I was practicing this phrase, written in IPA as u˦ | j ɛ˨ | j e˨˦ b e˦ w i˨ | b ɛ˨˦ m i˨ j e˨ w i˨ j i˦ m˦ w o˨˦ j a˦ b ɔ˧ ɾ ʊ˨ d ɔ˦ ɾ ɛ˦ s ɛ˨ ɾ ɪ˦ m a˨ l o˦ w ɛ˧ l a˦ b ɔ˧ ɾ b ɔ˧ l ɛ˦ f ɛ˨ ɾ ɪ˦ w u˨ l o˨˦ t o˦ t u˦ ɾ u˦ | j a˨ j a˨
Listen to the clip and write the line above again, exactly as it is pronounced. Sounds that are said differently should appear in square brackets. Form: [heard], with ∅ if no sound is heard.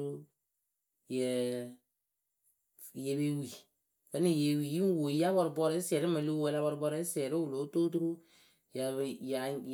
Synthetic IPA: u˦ | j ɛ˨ | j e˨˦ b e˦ w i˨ | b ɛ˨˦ [n] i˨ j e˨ w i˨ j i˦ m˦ w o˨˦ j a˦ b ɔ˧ ɾ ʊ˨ [b] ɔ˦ ɾ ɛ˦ s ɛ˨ ɾ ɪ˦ m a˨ l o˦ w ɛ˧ l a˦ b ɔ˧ ɾ b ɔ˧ [ɾ] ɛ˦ [s] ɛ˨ ɾ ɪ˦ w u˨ l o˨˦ t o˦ t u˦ ɾ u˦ | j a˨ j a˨